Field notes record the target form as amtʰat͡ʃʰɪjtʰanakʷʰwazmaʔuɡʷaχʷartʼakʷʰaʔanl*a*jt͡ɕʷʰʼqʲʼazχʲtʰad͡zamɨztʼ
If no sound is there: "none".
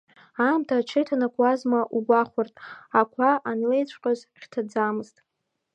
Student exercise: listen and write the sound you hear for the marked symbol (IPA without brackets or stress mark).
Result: e